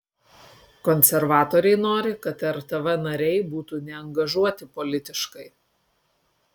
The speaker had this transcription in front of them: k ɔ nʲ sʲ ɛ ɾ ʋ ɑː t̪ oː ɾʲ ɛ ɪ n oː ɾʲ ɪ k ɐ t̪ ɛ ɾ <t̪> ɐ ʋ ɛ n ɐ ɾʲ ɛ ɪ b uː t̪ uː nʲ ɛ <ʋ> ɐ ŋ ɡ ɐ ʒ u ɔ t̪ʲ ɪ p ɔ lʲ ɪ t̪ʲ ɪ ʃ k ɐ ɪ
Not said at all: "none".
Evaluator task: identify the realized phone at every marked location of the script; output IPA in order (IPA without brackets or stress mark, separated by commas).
t̪, none